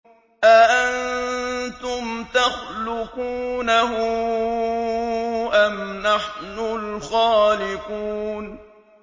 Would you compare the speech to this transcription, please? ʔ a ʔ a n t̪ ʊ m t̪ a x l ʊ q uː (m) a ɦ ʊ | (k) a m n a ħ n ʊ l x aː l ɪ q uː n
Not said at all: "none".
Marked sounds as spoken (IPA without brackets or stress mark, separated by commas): n, ʔ